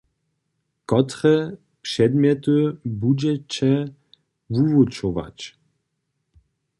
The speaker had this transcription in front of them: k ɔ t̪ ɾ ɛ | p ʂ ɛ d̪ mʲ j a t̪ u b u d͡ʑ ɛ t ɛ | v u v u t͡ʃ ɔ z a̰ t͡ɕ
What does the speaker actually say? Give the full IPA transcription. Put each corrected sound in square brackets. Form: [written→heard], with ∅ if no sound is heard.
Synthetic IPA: k ɔ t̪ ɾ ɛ | p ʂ ɛ d̪ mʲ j [a→ɛ] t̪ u b u d͡ʑ ɛ [t→t͡ɕ] ɛ | v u v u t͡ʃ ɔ [z→v] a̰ t͡ɕ